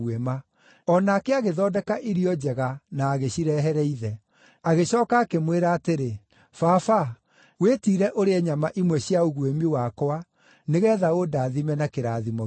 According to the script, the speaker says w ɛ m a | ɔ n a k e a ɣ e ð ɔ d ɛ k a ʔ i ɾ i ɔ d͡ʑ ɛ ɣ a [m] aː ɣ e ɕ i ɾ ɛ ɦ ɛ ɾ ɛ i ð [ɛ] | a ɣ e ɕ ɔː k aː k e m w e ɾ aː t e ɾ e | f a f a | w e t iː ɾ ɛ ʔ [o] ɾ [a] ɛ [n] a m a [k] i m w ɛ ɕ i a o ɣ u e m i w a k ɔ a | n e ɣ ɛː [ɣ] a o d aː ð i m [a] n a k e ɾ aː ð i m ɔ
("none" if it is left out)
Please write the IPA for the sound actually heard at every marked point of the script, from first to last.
n, ɛ, o, e, ɲ, ʔ, ð, ɛ

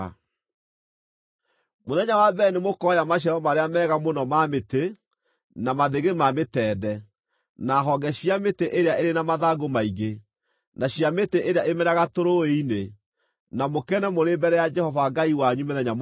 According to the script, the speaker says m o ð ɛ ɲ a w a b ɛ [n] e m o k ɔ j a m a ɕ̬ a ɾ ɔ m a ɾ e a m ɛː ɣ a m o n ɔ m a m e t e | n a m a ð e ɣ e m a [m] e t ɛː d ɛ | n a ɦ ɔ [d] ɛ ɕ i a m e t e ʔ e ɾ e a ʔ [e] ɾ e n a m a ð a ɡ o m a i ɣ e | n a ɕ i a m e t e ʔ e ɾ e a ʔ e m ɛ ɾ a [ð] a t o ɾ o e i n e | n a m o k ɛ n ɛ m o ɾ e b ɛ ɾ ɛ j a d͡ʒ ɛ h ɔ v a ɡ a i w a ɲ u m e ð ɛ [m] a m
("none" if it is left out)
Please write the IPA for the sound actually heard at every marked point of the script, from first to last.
n, m, ɡ, e, ɣ, ɲ

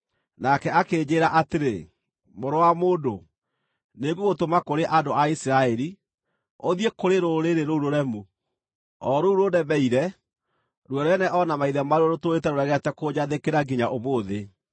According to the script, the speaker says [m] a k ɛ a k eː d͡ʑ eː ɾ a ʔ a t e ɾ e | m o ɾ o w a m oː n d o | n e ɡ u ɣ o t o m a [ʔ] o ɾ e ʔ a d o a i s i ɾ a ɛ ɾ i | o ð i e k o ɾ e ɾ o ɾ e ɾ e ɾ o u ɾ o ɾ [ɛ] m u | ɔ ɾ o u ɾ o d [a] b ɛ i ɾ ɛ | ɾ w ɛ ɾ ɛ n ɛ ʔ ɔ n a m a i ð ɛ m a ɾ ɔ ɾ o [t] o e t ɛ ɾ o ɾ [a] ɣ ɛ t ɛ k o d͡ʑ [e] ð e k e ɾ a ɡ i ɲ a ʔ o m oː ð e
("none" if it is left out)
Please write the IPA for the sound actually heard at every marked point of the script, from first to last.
n, k, ɛ, ɛ, t, ɛ, a

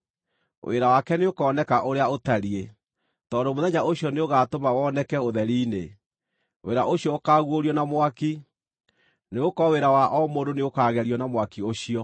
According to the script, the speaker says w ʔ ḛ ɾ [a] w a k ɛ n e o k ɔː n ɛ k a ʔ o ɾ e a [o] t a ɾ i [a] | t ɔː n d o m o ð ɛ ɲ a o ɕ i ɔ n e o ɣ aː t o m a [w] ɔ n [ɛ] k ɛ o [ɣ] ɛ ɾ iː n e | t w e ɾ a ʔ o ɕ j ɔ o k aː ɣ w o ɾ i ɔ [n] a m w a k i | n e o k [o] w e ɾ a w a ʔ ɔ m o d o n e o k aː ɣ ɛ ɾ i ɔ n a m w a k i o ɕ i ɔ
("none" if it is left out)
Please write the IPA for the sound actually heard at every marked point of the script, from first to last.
a, o, e, w, ɛ, ð, n, ɔ

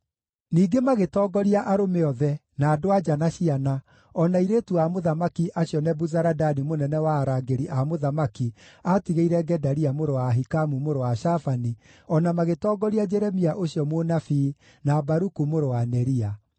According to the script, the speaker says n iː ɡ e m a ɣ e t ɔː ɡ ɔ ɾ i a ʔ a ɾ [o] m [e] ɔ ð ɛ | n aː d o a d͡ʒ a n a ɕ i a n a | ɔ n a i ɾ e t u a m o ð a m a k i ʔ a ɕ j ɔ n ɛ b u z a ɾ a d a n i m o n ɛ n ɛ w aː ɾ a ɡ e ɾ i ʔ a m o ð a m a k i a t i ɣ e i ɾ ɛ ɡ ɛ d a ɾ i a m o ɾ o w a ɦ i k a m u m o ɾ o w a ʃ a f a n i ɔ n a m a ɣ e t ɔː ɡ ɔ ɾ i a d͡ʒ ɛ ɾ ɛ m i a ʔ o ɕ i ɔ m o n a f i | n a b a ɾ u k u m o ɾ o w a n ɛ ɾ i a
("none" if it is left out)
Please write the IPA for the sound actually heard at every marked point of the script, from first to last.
o, e

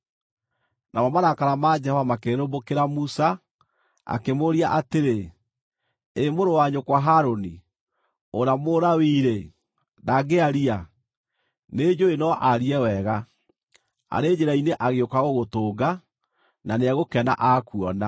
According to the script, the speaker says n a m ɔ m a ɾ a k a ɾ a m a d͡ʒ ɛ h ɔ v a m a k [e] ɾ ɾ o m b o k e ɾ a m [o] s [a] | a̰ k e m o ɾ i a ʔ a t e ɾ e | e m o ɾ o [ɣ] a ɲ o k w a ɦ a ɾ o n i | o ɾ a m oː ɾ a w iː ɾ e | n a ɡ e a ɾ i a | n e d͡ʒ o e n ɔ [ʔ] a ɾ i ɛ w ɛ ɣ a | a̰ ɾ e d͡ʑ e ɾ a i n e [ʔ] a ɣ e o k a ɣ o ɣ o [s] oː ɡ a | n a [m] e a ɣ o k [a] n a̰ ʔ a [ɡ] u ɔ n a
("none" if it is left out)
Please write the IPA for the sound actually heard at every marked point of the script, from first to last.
e, u, a, w, ʔ, ʔ, t, n, ɛ, k

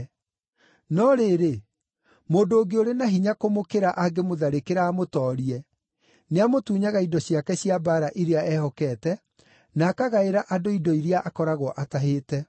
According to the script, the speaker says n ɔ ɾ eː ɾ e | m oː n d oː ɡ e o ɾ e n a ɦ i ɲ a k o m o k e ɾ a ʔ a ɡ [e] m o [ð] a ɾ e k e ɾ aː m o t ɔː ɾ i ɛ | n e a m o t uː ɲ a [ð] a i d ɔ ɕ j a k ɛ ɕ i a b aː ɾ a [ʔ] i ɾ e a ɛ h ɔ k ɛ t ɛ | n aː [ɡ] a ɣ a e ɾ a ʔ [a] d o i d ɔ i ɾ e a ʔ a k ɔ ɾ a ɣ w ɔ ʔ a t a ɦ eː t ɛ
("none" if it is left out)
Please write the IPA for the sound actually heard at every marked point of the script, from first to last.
e, ð, ɣ, ʔ, k, a

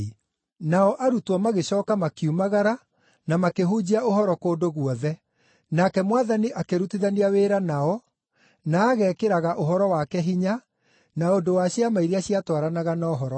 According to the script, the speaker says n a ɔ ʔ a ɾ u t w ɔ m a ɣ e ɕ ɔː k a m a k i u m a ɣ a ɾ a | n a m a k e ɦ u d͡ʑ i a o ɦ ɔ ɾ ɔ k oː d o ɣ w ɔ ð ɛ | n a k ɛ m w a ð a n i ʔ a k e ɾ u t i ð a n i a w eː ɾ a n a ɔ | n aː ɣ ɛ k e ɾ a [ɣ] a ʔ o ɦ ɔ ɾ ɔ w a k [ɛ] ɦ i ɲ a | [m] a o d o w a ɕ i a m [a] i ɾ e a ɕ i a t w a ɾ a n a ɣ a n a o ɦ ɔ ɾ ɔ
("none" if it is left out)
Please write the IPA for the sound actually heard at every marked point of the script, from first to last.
ɣ, ɛ, n, a

